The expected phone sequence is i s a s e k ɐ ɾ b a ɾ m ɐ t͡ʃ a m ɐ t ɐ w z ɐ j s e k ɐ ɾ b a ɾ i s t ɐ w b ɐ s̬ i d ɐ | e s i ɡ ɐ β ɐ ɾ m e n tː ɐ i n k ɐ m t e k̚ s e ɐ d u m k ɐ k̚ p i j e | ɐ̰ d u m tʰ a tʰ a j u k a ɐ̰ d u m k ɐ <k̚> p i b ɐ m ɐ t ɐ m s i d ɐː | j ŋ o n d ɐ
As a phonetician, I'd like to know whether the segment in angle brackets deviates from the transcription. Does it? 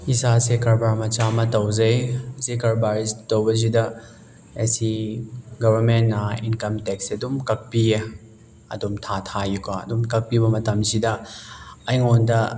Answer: no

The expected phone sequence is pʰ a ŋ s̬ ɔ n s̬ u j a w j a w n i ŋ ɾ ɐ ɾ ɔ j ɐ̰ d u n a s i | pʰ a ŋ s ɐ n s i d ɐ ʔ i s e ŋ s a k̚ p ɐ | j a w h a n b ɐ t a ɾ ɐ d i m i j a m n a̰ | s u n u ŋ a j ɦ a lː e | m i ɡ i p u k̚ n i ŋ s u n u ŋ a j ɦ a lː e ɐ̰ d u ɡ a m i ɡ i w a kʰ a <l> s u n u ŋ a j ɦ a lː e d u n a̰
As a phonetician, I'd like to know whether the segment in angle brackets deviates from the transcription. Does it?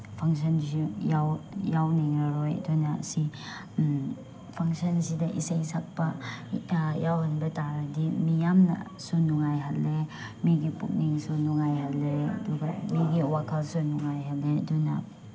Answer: no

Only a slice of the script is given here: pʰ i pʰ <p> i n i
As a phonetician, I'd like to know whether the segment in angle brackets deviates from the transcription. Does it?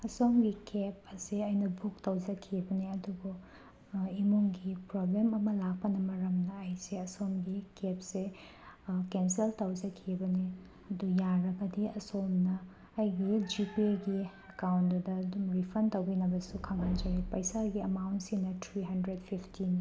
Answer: yes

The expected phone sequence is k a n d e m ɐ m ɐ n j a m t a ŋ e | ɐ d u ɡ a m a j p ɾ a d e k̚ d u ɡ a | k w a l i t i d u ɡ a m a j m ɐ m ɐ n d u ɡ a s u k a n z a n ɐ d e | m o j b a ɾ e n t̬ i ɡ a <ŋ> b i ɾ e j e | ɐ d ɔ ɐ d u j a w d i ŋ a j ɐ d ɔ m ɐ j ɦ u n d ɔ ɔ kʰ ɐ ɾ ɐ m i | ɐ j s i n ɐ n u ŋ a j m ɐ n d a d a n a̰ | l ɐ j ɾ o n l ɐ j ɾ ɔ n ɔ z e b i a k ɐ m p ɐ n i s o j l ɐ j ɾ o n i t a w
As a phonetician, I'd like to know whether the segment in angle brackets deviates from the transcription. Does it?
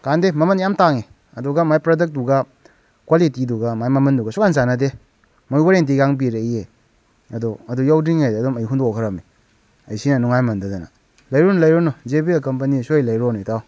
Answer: no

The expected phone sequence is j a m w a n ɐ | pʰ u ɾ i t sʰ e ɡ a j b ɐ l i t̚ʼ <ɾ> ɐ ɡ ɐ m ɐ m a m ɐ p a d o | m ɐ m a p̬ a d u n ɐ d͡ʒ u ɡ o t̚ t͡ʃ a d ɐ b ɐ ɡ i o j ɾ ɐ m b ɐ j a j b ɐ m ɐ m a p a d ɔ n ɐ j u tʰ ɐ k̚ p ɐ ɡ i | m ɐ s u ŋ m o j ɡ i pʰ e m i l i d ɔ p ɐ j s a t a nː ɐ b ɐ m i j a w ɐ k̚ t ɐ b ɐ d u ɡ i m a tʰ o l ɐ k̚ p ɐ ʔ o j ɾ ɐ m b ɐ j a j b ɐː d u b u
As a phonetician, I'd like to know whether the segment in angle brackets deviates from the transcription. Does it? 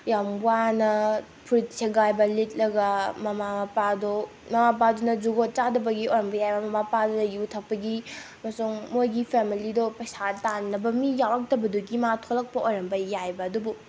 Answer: yes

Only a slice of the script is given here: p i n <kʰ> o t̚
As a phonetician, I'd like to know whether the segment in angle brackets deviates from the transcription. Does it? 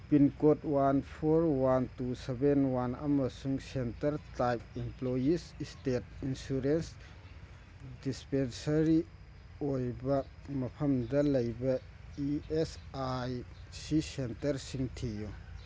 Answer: yes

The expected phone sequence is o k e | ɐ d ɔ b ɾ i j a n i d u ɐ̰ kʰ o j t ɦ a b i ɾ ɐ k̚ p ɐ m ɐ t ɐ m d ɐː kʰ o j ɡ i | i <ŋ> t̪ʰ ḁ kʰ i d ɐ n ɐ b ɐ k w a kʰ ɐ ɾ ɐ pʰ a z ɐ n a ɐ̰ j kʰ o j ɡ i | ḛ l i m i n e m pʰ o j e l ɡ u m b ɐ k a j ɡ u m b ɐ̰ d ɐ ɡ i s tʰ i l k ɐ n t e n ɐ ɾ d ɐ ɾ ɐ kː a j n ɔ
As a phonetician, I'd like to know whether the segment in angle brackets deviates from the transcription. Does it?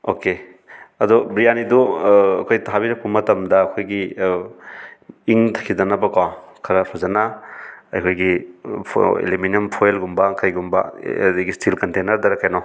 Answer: no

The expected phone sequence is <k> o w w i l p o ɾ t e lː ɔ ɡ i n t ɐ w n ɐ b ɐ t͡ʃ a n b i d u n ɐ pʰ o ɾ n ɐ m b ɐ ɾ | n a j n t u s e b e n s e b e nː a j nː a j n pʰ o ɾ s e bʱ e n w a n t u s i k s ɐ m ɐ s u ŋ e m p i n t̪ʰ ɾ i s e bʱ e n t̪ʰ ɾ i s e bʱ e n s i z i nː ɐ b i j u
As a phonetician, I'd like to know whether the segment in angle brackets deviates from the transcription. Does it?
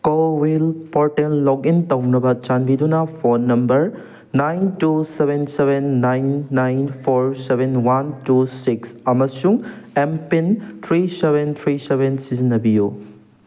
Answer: no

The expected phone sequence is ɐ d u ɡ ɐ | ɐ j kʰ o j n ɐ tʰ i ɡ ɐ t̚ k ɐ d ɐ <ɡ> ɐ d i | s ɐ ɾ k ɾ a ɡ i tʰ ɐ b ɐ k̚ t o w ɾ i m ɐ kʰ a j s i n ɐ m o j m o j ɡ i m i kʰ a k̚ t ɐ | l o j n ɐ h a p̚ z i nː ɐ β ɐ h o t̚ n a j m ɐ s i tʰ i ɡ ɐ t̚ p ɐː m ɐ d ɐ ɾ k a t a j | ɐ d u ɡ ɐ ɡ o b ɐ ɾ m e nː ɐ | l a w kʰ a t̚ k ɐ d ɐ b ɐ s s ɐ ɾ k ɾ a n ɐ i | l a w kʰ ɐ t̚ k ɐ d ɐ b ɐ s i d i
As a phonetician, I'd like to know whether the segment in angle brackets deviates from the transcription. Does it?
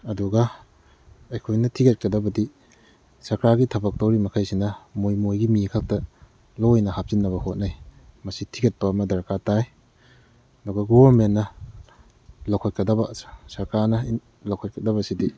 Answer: yes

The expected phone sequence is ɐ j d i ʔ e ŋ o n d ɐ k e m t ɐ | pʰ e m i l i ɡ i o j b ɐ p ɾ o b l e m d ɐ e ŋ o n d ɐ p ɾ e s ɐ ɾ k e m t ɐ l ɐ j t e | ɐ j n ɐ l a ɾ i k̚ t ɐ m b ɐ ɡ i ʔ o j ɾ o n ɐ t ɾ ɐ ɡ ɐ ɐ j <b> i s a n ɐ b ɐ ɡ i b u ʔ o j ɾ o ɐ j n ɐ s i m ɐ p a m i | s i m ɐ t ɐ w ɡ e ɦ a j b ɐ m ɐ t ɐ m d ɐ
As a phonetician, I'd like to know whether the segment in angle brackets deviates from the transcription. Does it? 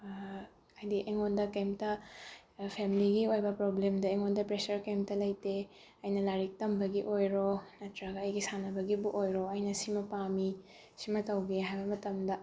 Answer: yes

